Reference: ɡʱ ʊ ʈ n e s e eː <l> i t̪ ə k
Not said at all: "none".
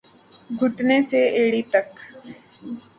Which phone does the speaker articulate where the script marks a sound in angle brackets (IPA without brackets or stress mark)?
ɽ